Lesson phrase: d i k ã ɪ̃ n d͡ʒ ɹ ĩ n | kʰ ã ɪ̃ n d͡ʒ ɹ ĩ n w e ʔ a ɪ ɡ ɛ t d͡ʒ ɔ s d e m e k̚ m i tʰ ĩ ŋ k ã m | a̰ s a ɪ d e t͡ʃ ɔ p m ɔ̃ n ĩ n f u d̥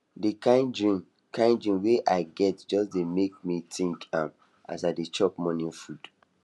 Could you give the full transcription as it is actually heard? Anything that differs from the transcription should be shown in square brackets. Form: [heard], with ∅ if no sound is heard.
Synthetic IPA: d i k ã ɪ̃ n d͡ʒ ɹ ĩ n | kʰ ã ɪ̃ n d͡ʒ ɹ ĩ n w e ʔ a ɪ ɡ ɛ t d͡ʒ ɔ s d e m e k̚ m i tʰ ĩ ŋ k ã m | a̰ s a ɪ d e t͡ʃ ɔ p m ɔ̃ n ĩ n f u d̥